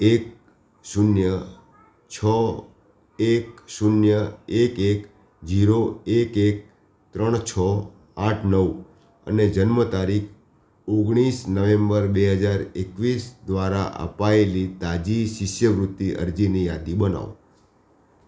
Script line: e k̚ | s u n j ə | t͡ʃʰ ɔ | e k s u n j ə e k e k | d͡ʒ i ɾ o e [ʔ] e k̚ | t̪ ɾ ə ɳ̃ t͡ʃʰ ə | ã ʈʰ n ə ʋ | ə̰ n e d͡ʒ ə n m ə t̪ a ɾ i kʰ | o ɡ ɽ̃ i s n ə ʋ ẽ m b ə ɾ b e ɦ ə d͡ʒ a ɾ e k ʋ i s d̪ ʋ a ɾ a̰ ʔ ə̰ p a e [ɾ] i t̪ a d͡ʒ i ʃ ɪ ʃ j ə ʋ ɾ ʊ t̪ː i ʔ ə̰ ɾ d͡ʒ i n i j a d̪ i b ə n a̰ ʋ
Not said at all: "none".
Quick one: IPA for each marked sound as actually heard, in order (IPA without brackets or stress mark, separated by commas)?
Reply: k, l